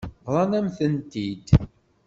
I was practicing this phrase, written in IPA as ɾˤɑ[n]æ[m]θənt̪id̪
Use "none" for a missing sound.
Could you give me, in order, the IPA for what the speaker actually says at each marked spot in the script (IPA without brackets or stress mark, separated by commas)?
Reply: n, m